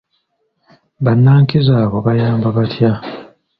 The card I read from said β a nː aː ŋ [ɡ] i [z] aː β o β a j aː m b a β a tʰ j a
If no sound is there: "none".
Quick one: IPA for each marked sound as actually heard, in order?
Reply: k, z

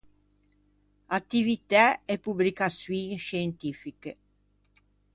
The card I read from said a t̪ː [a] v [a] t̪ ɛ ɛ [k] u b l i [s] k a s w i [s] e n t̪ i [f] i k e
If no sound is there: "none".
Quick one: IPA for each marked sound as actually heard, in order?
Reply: i, i, p, none, ʃ, f

